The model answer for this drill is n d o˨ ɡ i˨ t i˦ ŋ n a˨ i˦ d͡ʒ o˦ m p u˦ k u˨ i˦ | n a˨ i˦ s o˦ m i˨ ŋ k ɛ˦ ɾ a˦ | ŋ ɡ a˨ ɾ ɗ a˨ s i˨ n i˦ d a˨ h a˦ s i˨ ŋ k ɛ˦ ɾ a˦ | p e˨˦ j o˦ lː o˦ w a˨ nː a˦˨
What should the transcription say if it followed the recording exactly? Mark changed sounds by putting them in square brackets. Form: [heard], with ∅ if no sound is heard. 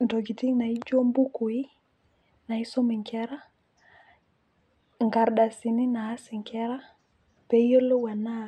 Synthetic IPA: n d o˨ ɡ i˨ t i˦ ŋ n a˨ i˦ d͡ʒ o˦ m [b] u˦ k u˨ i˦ | n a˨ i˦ s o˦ m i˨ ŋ k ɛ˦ ɾ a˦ | ŋ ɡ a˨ ɾ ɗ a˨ s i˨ n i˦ [n] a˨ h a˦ s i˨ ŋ k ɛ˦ ɾ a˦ | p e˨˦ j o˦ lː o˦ w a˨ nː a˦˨